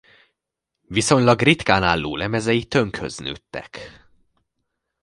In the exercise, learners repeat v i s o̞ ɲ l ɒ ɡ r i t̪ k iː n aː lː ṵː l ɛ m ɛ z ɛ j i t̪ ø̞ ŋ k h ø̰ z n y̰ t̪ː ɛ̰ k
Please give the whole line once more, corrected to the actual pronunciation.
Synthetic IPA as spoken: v i s o̞ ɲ l ɒ ɡ r i t̪ k aː n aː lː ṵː l ɛ m ɛ z ɛ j i t̪ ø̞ ŋ k h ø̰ z n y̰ t̪ː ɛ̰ k